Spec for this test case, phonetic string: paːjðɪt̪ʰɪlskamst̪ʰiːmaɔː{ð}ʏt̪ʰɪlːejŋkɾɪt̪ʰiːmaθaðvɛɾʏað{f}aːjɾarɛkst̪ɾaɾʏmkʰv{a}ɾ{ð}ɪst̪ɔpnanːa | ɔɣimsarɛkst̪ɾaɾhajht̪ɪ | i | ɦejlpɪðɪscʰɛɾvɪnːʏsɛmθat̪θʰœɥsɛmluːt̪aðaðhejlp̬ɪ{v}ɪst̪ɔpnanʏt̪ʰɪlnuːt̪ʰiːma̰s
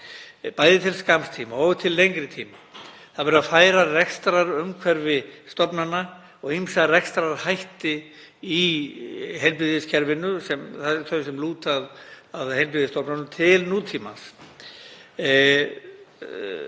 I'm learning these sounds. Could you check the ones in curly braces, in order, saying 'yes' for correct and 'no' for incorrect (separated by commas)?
no, yes, no, no, no